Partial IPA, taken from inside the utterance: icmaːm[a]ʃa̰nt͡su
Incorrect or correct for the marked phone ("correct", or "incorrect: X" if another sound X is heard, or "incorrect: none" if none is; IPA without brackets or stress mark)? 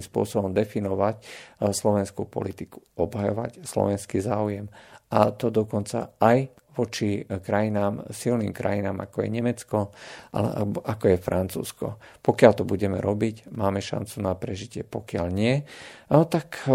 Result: incorrect: ɛ